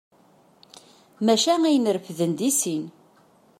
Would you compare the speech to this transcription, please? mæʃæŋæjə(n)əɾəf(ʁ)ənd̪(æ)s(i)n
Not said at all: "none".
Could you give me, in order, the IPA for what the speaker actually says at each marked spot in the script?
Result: n, ð, i, i

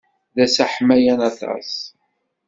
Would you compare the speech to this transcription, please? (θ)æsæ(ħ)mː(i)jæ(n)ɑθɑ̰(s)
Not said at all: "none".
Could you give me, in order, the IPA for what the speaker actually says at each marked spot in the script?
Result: ð, ħ, æ, n, s

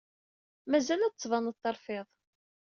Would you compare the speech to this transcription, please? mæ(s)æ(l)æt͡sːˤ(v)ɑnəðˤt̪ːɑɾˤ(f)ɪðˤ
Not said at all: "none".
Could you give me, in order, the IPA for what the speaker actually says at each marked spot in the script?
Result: z, l, v, f

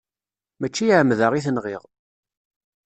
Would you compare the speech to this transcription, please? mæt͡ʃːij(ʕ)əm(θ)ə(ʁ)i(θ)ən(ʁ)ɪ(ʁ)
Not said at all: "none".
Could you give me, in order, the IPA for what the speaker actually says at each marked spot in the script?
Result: ʕ, ð, ʁ, θ, ʁ, ʁ

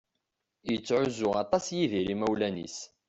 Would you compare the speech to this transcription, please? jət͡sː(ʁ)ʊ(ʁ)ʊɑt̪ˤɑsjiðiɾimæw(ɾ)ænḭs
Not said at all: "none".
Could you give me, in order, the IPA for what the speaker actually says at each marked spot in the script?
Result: ʕ, z, l

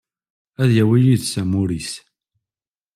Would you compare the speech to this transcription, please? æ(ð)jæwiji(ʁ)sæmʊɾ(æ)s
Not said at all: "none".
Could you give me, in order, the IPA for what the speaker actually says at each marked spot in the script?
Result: ð, ð, i

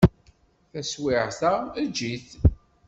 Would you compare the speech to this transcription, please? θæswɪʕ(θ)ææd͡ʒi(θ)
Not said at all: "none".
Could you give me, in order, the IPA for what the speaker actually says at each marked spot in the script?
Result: θ, θ

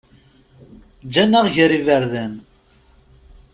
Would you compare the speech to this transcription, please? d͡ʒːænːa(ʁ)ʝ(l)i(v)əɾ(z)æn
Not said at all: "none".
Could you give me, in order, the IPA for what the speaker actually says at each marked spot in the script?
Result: ʁ, ɾ, v, ð

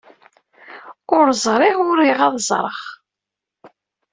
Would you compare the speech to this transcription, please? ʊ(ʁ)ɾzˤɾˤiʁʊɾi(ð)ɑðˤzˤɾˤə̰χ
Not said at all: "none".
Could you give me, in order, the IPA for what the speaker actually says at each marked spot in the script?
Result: none, ʁ

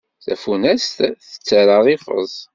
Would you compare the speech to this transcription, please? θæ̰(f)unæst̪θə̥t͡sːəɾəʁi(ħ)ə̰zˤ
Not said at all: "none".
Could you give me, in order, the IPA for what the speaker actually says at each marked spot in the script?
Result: f, f

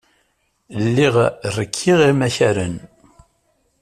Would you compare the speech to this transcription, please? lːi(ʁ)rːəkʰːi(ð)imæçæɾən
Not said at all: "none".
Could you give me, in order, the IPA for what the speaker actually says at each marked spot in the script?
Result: ʁ, ʁ

